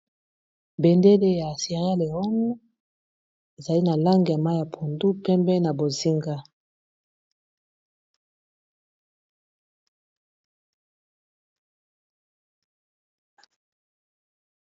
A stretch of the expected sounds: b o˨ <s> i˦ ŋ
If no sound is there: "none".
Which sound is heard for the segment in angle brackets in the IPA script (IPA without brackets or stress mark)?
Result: z